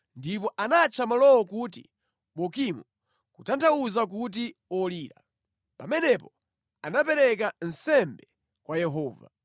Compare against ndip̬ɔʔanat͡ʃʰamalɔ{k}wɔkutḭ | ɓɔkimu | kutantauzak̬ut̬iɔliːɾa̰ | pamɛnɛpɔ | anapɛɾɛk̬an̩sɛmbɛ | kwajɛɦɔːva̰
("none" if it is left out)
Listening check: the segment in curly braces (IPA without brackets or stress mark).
none